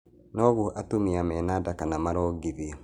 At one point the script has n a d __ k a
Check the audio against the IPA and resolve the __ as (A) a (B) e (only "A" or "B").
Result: A